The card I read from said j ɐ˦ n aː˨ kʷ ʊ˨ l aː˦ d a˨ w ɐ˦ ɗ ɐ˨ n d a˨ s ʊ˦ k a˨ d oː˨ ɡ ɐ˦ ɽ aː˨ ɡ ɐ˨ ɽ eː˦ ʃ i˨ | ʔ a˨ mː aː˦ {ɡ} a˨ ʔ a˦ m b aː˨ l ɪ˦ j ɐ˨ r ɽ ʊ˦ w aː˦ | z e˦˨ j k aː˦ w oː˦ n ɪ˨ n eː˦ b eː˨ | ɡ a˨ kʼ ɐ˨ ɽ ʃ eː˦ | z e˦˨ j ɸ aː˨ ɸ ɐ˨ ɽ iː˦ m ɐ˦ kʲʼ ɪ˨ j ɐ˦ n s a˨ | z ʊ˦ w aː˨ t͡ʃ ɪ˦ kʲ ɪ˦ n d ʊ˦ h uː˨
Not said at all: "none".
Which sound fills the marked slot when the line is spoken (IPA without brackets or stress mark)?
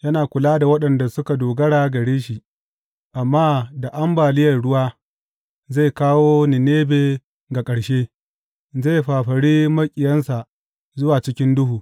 d